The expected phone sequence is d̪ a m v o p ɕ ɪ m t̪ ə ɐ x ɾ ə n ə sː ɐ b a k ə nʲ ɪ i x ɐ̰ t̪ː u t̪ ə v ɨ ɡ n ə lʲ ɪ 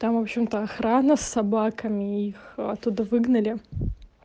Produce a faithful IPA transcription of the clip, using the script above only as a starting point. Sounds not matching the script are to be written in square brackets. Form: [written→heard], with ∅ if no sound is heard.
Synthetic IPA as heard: [d̪→t̪] a m v o p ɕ ɪ m t̪ ə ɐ x ɾ [ə→a] n ə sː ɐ b a k ə [nʲ→mʲ] ɪ i x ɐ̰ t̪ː u [t̪→d̪] ə v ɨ ɡ n ə lʲ ɪ